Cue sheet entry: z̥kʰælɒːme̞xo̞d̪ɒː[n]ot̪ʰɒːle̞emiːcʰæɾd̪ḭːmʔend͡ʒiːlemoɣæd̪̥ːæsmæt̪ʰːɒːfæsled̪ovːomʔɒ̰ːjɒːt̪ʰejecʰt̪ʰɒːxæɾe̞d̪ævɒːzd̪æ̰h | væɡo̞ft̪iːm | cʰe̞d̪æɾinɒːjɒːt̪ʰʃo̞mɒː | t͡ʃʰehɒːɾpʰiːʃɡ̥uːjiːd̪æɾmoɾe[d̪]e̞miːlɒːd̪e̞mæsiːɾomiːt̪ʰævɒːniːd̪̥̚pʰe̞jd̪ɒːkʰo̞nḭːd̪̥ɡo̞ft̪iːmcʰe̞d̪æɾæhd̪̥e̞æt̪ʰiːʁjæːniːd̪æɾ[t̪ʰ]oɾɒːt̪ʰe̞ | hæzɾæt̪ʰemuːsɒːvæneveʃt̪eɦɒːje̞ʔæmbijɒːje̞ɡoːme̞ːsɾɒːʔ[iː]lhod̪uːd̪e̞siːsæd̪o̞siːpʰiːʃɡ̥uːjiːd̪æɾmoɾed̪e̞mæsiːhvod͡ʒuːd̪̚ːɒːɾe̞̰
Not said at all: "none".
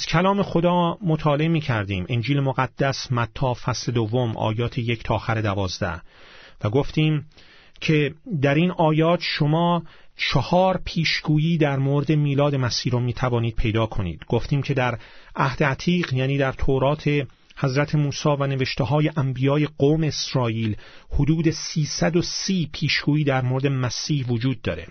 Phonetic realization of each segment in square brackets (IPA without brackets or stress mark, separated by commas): m, d̪, t̪ʰ, iː